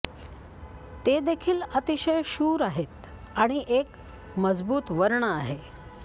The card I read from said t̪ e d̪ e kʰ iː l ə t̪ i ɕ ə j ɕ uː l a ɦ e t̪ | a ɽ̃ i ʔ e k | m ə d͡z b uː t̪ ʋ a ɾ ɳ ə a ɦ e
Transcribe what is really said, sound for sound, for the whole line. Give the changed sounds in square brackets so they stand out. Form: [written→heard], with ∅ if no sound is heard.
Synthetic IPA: t̪ e d̪ e kʰ iː l ə t̪ i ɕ ə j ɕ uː [l→ɾ] a ɦ e t̪ | a ɽ̃ i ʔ e k | m ə d͡z b uː t̪ ʋ [a→ə] ɾ ɳ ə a ɦ e